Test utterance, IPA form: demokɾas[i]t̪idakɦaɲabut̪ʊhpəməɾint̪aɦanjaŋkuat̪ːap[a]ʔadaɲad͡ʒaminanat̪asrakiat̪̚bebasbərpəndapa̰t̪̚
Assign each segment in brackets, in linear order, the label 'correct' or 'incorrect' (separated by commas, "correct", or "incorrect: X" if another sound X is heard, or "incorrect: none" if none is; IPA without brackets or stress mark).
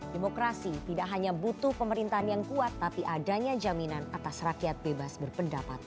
correct, incorrect: i